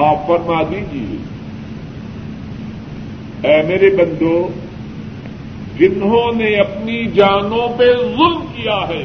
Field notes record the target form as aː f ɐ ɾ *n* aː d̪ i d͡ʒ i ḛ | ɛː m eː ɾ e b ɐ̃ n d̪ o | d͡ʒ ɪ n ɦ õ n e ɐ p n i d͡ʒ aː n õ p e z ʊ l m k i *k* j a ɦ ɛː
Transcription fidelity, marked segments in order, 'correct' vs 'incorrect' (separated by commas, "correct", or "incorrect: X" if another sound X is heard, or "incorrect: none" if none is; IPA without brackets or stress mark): incorrect: m, incorrect: none